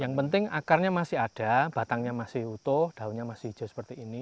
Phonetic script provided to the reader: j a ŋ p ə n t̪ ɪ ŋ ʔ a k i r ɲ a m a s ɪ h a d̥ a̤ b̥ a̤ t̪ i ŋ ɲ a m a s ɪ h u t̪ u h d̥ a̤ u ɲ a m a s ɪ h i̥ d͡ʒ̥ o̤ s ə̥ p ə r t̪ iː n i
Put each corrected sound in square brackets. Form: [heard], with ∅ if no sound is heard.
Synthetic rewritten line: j a ŋ p ə n t̪ ɪ ŋ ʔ a k [a] r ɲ a m a s ɪ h a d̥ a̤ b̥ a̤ t̪ [a] ŋ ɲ a m a s ɪ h u t̪ [ʊ] h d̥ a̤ u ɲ a m a s ɪ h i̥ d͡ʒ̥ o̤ s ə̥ p ə r t̪ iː n i